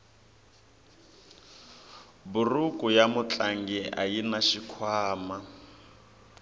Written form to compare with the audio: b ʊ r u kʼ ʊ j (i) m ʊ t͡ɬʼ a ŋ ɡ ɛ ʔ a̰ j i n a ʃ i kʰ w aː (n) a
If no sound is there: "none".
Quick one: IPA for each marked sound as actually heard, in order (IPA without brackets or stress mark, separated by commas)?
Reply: a, m